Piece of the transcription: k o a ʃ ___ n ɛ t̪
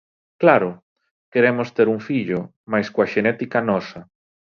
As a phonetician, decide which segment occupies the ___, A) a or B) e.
B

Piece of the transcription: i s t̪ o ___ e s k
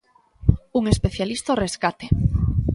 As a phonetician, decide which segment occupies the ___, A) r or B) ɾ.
A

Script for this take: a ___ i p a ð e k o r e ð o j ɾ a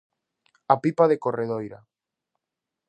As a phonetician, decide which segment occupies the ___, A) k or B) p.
B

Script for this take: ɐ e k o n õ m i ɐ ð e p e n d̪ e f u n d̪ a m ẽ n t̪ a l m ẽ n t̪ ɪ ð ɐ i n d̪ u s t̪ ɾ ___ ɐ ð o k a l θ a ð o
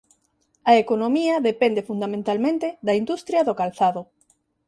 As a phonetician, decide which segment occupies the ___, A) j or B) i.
A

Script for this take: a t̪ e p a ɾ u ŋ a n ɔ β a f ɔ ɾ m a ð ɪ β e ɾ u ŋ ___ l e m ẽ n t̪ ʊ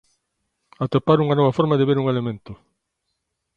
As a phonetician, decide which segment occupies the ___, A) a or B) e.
B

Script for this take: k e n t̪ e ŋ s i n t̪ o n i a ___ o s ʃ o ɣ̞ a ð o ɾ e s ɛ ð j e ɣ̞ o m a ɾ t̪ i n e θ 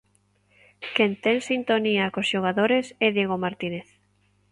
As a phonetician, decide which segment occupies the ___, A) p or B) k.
B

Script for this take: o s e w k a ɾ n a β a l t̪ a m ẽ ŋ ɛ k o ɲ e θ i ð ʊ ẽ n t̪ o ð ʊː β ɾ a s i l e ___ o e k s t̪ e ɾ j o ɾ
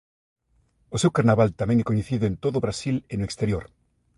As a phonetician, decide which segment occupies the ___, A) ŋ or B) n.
B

